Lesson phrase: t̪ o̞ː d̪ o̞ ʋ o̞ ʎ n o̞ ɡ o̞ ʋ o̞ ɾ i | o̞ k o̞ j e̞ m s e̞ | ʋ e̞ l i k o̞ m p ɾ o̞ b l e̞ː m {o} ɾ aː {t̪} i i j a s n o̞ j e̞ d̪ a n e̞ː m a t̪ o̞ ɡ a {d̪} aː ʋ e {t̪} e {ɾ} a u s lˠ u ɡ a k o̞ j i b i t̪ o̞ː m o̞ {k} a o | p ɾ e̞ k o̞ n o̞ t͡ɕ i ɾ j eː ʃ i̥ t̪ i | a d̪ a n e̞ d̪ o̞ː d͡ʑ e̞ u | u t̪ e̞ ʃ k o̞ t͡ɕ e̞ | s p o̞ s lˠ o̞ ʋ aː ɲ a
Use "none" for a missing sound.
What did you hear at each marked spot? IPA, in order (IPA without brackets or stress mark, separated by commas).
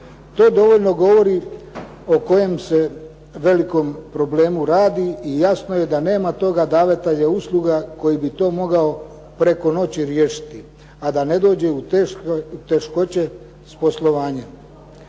u, d̪, d̪, t̪, ʎ, ɡ